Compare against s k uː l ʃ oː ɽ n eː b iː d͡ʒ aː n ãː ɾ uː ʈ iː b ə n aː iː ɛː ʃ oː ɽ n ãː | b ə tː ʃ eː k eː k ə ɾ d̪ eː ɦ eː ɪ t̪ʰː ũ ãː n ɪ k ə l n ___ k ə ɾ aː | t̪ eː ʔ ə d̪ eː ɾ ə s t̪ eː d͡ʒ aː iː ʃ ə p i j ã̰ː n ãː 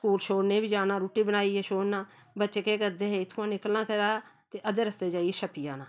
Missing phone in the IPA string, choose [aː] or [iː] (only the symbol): aː